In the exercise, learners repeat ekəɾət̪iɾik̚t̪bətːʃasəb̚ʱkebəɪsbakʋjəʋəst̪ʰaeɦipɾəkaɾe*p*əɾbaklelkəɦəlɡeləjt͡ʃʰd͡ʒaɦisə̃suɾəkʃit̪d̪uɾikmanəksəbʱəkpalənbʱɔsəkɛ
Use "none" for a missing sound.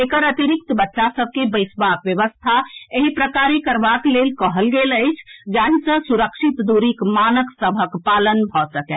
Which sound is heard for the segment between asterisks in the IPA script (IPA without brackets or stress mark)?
k